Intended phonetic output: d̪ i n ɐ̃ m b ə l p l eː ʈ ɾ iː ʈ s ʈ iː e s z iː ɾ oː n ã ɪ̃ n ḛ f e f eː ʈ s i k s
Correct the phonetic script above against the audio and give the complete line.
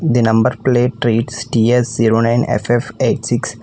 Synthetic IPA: d̪ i n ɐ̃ m b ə ɾ p l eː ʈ ɾ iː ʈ s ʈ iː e s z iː ɾ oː n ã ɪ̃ n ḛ f e f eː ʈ s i k s